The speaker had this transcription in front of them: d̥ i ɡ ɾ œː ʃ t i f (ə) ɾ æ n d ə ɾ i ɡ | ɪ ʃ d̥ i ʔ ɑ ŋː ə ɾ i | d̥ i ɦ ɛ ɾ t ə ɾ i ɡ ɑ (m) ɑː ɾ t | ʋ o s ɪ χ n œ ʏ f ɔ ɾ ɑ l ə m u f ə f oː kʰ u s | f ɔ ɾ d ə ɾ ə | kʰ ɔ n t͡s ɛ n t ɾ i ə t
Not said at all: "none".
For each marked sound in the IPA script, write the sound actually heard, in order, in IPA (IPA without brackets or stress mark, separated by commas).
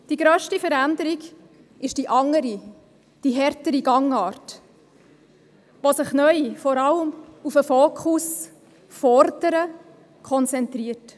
ə, ŋ